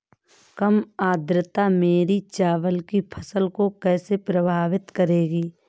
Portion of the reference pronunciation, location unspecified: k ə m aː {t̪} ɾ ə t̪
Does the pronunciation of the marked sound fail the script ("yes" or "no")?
yes